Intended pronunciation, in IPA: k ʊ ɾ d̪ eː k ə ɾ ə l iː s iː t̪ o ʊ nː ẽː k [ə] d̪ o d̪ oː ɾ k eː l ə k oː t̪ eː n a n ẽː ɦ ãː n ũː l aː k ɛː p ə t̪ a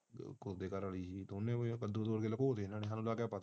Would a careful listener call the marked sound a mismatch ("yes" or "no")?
no